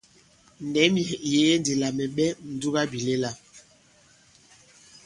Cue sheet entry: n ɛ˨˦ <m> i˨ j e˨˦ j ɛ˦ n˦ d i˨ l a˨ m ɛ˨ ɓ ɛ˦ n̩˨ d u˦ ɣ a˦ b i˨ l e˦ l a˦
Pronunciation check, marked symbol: correct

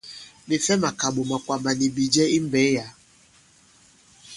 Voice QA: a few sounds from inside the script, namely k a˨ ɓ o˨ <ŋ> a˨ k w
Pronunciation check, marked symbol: incorrect: m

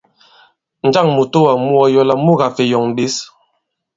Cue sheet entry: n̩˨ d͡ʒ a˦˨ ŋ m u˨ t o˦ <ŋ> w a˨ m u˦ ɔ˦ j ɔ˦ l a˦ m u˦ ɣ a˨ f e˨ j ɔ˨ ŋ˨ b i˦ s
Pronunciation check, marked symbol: incorrect: none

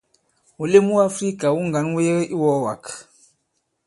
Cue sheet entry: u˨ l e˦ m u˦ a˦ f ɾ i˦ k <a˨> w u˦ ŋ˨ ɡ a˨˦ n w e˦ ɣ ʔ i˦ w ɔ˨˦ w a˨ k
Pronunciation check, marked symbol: correct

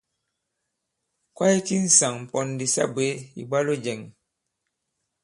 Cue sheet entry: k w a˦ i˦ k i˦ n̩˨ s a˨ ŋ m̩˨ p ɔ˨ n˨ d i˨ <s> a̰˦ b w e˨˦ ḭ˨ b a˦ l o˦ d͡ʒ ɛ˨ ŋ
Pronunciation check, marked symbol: correct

